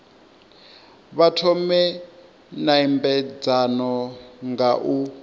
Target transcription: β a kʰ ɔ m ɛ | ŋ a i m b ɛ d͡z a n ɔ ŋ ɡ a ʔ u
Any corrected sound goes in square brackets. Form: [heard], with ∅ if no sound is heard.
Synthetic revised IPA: β a [tʰ] ɔ m ɛ | [n] a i m b ɛ d͡z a n ɔ ŋ ɡ a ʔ u